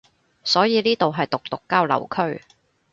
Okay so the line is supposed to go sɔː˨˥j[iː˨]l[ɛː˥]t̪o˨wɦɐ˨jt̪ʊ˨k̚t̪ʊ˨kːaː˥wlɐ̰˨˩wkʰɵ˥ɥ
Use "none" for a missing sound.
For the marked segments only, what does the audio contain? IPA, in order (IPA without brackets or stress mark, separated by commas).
iː˨, iː˥